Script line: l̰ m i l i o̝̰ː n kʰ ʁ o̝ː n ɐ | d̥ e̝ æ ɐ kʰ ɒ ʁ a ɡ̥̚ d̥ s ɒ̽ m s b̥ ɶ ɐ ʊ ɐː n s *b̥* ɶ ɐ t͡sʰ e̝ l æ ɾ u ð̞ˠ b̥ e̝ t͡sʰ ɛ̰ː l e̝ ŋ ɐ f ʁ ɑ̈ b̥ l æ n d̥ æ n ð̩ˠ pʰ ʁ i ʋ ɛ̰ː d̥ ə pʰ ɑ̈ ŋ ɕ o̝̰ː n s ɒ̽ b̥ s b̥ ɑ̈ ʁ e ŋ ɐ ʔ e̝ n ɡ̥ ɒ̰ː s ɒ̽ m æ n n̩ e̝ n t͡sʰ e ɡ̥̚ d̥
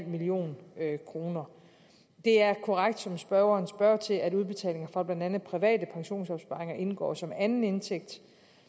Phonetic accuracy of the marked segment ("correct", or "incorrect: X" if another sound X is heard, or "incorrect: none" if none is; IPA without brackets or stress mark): correct